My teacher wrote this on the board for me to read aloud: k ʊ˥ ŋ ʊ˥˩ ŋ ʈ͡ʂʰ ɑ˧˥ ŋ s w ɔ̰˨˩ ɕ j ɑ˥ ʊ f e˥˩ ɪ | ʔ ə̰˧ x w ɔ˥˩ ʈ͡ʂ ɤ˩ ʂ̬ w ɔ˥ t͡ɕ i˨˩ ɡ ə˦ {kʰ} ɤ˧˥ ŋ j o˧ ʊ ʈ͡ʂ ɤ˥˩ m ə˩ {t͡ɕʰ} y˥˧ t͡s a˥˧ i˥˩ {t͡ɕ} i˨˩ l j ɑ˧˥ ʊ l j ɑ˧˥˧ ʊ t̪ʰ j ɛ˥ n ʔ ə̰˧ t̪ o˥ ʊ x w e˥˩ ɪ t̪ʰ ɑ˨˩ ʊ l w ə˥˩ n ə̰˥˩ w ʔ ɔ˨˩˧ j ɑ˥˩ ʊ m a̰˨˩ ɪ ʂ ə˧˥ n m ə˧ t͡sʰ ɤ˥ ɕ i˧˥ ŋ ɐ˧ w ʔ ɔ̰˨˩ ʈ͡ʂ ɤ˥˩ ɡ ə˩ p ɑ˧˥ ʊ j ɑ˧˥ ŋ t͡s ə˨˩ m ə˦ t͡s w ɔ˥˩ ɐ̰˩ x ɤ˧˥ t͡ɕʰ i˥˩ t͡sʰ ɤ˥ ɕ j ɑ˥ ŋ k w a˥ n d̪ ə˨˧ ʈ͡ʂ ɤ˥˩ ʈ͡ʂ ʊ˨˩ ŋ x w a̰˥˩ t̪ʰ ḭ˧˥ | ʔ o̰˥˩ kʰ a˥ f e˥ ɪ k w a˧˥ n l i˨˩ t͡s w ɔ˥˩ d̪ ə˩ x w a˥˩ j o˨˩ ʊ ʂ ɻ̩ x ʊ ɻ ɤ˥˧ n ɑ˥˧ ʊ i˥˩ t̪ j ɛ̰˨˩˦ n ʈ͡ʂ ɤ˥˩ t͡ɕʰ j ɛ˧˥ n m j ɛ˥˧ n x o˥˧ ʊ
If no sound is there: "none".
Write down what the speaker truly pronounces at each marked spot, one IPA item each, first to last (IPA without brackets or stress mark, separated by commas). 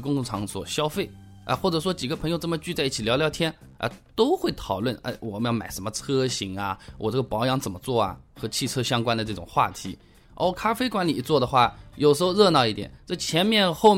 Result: pʰ, t͡ɕ, t͡ɕʰ